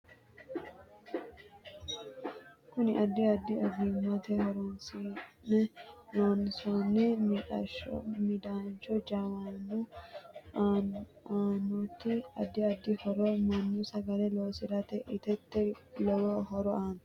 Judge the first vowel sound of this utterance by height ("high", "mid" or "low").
high